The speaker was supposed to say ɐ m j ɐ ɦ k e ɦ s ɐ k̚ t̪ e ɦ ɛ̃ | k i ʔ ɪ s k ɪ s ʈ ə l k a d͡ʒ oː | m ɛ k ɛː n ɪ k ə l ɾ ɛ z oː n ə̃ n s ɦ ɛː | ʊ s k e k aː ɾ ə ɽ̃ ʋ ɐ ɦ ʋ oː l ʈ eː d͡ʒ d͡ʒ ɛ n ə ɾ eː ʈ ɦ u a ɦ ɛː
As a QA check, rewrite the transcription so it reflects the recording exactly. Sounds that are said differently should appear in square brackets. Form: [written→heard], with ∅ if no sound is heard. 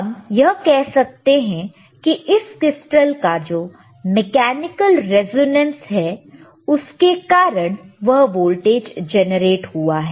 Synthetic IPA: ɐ m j ɐ ɦ k [e→ɛ] ɦ s ɐ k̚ t̪ e ɦ ɛ̃ | k i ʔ ɪ s k ɪ s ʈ ə l k a d͡ʒ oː | m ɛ k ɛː n ɪ k ə l ɾ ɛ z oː n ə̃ n s ɦ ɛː | ʊ s k e k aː ɾ ə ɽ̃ ʋ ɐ ɦ ʋ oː l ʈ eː d͡ʒ d͡ʒ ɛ n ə ɾ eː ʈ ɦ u a ɦ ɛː